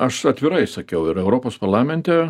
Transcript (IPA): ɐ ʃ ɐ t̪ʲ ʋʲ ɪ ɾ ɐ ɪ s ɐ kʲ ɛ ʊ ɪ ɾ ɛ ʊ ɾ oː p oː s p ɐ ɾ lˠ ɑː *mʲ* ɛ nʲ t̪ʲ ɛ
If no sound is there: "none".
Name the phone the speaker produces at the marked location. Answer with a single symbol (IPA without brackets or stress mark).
mʲ